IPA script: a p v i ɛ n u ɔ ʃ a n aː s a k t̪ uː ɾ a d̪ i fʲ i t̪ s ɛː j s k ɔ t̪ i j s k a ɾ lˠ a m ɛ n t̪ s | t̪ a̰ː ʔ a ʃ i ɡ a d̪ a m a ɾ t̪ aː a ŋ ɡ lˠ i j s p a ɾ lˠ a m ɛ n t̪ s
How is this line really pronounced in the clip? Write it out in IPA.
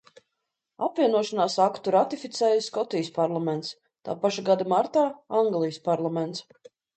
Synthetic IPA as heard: a p v i ɛ n u ɔ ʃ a n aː s a k t̪ u ɾ a t̪ i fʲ i t̪ s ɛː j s k ɔ t̪ i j s p a ɾ lˠ a m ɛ n t̪ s | t̪ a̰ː p a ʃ a ɡ a d̪ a m a ɾ t̪ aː a ŋ ɡ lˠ i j s p a ɾ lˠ a m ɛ n t̪ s